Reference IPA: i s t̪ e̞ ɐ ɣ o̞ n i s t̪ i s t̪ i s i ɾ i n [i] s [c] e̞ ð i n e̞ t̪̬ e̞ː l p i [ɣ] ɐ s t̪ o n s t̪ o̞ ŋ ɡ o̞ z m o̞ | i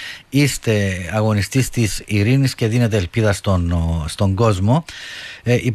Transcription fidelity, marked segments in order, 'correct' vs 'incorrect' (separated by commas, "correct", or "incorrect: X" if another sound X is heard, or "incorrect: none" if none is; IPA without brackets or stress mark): correct, correct, incorrect: ð